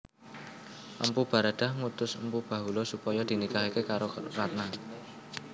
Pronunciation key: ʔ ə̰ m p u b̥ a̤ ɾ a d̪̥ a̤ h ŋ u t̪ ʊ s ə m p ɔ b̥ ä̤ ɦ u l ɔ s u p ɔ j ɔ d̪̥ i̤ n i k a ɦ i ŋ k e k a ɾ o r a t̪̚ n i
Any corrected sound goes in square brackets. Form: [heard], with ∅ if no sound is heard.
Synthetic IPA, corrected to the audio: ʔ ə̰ m p u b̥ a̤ ɾ a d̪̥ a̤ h ŋ u t̪ ʊ s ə m p [u] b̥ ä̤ ɦ u l ɔ s u p ɔ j ɔ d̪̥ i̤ n i k a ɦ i [∅] k e k a ɾ o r a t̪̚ n [a]